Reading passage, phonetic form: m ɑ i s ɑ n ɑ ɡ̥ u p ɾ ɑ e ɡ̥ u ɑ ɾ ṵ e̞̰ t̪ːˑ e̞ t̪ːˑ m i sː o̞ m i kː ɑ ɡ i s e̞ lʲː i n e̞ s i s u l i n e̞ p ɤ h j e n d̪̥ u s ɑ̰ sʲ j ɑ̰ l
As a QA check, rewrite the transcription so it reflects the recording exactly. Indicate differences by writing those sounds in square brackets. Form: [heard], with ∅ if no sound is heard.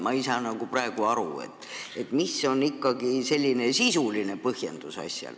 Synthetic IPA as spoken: m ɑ i s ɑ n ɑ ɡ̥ u p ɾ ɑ e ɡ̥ u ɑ ɾ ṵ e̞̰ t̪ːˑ e̞ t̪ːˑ m i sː o̞ [n] i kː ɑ ɡ i s e̞ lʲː i n e̞ s i s u l i n e̞ p ɤ h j e n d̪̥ u s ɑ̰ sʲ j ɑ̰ l